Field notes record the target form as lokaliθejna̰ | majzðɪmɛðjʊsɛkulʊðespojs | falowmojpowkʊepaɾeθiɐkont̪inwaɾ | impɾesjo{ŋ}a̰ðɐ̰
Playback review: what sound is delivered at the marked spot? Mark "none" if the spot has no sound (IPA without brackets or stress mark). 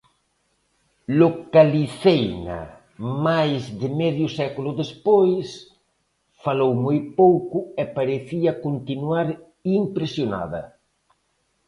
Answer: n